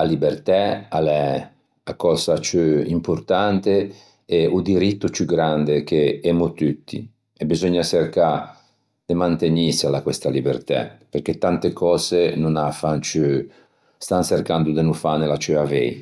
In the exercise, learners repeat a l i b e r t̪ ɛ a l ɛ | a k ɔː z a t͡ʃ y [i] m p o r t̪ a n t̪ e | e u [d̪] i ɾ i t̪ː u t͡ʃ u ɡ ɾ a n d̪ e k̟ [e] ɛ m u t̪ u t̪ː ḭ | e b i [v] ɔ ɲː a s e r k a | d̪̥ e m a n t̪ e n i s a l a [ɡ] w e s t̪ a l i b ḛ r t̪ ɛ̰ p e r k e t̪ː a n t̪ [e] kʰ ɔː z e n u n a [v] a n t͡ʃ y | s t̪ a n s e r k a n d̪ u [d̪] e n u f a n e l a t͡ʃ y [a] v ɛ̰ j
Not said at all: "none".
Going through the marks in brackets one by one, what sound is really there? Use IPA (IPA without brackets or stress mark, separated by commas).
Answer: i, d̪, e, z, k, e, f, d̪, a